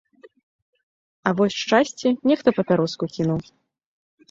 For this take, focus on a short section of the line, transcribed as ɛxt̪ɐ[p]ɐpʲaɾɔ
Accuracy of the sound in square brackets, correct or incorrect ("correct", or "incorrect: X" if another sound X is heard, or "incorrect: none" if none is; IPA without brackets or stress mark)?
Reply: correct